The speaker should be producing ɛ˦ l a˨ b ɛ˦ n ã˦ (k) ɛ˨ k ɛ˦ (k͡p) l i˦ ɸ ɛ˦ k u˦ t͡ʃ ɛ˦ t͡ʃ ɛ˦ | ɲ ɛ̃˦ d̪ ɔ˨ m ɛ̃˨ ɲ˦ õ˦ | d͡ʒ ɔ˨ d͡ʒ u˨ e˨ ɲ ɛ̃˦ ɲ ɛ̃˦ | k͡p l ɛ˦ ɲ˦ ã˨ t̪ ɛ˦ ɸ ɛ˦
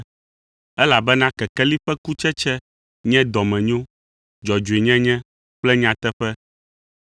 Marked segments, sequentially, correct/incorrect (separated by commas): correct, incorrect